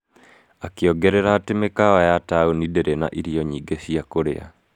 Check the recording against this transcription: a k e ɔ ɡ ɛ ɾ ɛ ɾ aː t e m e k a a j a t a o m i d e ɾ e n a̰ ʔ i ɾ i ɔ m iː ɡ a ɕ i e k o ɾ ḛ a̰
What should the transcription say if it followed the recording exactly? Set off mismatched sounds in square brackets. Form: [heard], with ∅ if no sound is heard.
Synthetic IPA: a k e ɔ ɡ ɛ ɾ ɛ ɾ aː t e m e k a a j a t a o [n] i d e ɾ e n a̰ ʔ i ɾ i ɔ [ɲ] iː ɡ [e] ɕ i [a] k o ɾ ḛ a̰